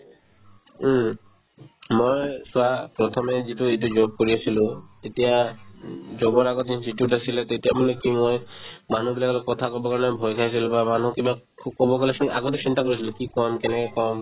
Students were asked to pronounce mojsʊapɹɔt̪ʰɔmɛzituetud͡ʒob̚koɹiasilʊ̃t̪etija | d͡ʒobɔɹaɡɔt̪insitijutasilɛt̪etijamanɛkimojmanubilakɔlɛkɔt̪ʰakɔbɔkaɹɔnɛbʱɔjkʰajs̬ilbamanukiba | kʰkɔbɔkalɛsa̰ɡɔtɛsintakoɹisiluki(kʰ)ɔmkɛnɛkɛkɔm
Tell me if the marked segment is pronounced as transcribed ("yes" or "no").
no